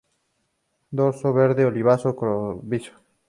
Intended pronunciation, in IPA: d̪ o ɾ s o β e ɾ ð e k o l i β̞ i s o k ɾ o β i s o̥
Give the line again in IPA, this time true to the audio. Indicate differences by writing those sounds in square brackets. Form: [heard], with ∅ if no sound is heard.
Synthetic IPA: d̪ o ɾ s o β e ɾ ð e [∅] o l i β̞ [a] s o k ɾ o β i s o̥